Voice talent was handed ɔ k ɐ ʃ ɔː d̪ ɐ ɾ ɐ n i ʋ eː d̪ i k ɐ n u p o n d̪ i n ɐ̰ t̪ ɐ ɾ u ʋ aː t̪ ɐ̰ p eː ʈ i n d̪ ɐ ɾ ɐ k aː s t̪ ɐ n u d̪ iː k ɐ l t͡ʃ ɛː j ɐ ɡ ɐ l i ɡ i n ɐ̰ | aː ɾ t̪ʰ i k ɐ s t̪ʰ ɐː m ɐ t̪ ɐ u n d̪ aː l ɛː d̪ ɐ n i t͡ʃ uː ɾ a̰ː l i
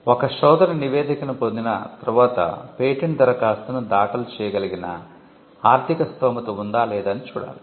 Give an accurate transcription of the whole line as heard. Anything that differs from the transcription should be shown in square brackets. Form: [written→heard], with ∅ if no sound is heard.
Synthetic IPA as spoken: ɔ k ɐ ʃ ɔː d̪ ɐ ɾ ɐ n i ʋ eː d̪ i k ɐ n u p o n d̪ i n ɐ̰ t̪ ɐ ɾ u ʋ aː t̪ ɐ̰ p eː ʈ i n d̪ ɐ ɾ ɐ k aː s t̪ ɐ n u d̪ [iː→aː] k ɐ l t͡ʃ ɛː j ɐ ɡ ɐ l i ɡ i n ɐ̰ | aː ɾ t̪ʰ i k ɐ s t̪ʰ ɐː m ɐ t̪ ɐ u n d̪ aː l ɛː d̪ ɐ n i t͡ʃ uː [ɾ→ɽ] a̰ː l i